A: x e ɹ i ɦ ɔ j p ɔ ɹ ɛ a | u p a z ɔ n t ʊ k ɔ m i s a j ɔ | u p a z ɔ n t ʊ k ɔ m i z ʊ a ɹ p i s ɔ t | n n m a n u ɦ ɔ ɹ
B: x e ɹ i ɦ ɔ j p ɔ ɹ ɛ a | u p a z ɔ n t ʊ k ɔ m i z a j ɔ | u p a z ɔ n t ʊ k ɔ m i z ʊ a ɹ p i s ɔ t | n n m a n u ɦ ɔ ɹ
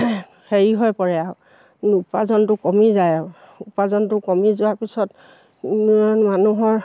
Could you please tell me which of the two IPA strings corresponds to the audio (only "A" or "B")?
B